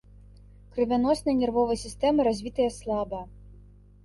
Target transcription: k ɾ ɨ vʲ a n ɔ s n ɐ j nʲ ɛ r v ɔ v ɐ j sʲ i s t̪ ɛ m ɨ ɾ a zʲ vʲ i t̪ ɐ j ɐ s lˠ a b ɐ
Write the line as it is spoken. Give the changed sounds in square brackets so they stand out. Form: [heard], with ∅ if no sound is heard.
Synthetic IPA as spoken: k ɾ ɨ vʲ a n ɔ s n ɐ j nʲ ɛ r v ɔ v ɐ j sʲ i s t̪ ɛ m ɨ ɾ a zʲ vʲ i t̪ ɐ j ɐ s lˠ a b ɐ